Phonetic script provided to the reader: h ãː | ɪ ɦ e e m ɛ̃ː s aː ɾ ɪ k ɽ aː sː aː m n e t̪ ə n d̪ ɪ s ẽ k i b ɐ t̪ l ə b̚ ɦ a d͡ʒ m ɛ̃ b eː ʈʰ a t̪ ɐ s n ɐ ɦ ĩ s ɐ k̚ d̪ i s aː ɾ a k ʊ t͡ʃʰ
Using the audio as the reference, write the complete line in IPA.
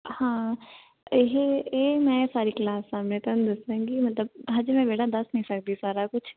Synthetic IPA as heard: h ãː | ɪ ɦ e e m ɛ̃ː s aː ɾ i k l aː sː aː m n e t̪ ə n d̪ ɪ s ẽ ɡ i m ɐ t̪ l ə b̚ ɦ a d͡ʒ m ɛ̃ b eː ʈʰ a d̪ ɐ s n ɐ ɦ ĩ s ɐ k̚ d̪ i s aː ɾ a k ʊ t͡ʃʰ